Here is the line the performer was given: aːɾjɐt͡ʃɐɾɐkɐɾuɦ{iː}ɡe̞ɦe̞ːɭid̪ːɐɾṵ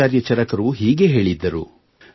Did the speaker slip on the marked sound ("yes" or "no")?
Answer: no